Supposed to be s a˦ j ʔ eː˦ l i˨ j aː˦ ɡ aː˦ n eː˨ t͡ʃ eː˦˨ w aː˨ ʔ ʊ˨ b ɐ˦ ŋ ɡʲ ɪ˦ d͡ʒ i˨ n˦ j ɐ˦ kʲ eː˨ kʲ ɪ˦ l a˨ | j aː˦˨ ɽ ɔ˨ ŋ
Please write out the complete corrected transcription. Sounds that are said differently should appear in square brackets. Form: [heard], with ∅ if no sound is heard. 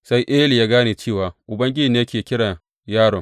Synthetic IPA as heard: s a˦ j ʔ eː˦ l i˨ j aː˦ ɡ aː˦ n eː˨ t͡ʃ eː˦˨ w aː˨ ʔ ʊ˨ b ɐ˦ ŋ ɡʲ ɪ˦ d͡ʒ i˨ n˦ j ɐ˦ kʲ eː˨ kʲ ɪ˦ [ɽ] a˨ | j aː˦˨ ɽ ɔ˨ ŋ